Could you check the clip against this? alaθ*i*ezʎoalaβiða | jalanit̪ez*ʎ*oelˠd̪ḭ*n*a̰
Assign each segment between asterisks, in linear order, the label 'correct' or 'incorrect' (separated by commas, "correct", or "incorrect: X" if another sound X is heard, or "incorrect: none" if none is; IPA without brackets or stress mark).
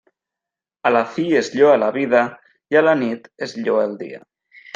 correct, correct, incorrect: none